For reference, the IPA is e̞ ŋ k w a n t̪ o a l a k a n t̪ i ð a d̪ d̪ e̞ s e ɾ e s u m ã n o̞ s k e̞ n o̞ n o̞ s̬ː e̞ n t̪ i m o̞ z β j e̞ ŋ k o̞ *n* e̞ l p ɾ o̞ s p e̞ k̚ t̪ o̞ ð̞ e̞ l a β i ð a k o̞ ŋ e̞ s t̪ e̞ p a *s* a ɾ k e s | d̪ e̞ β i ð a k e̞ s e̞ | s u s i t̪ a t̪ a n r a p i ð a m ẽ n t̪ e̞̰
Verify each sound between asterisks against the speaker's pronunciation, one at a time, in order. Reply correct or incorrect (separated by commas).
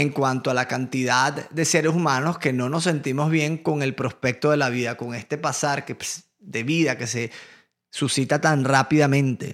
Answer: incorrect, correct